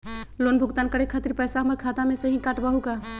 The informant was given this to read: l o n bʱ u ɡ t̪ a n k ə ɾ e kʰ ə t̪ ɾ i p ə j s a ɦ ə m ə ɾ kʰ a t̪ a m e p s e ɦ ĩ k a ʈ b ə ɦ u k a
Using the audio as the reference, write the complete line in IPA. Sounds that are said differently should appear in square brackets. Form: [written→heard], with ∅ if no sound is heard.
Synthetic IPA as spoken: l o n bʱ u ɡ t̪ a n k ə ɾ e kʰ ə t̪ ɾ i p ə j s a ɦ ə m ə ɾ kʰ a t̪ a m e [p→∅] s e ɦ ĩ k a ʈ b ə ɦ u k a